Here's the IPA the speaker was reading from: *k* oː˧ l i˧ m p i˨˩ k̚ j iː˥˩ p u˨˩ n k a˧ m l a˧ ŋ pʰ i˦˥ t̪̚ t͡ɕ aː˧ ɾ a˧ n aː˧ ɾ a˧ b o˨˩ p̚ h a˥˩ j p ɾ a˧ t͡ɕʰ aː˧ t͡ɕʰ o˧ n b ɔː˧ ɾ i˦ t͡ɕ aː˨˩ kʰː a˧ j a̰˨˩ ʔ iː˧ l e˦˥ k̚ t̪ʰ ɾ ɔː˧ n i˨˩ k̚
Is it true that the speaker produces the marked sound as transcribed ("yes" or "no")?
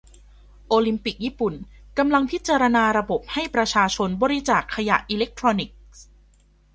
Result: no